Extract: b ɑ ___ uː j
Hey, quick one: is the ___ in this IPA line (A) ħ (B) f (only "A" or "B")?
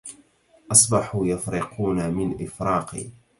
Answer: A